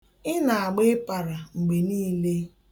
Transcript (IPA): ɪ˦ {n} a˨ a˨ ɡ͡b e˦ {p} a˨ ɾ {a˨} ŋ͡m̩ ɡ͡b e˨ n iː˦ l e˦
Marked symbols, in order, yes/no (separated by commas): yes, yes, yes